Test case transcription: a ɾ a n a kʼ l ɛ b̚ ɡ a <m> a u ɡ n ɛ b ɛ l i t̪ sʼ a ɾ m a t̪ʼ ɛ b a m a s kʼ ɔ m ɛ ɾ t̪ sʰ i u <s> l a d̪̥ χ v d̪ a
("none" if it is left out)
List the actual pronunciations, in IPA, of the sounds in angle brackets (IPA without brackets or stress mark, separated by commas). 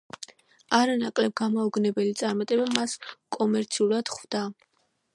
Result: m, none